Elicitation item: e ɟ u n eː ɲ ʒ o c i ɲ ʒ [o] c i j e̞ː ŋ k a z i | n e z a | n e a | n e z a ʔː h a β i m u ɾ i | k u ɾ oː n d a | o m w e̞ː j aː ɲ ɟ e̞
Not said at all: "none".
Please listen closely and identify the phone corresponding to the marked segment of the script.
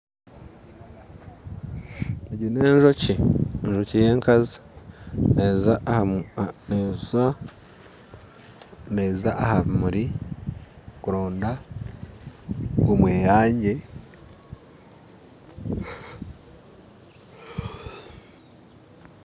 o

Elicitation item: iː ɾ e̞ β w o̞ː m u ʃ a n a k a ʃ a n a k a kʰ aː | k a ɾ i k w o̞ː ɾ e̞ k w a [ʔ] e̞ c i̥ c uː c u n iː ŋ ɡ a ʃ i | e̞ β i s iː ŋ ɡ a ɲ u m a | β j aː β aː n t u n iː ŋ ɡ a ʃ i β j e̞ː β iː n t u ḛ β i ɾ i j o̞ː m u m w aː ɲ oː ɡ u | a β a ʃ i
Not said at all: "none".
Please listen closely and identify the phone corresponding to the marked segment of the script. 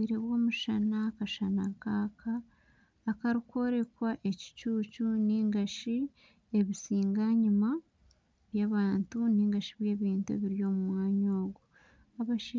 ʔ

